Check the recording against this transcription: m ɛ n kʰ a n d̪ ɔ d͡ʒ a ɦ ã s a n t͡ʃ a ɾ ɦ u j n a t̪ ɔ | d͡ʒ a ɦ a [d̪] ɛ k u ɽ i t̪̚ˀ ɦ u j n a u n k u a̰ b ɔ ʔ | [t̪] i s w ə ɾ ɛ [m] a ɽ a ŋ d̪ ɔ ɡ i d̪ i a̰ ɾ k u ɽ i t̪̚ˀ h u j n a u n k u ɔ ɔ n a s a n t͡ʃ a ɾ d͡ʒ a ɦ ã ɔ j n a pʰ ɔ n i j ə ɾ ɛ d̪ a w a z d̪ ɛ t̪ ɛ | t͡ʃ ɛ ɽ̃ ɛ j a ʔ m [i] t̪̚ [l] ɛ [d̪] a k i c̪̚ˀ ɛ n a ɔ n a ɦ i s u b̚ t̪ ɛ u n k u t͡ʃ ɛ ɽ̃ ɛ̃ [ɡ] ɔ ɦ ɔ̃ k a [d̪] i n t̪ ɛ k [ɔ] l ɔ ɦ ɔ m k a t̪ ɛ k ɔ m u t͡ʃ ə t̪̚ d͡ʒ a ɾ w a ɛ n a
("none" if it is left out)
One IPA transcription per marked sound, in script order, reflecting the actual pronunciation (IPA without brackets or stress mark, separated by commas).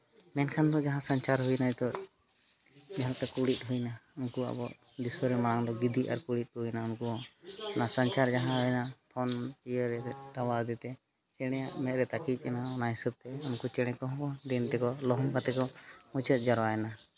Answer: t̪, d̪, m, ɛ, ɾ, t̪, k, d̪, ɔ